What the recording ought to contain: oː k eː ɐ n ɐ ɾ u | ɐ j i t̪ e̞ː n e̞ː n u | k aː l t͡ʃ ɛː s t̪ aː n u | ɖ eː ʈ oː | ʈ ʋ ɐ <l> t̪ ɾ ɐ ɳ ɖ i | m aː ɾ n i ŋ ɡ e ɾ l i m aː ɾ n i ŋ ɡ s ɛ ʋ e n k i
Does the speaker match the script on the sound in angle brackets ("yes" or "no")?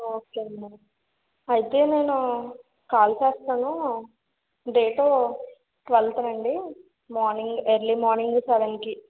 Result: yes